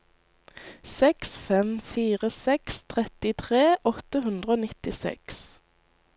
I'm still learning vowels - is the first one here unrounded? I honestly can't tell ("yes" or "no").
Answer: yes